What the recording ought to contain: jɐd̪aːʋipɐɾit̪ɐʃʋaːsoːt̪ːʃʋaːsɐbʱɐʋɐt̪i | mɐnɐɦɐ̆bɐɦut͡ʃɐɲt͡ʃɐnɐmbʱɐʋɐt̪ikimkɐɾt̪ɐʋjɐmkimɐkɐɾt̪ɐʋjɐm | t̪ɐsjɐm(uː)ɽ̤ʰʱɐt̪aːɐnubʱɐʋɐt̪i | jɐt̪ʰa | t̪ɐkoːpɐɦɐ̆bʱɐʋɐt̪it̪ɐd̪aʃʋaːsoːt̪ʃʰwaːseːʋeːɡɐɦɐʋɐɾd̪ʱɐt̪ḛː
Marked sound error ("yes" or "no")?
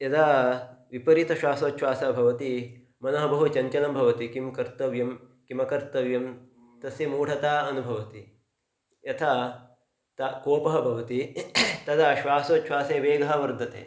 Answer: no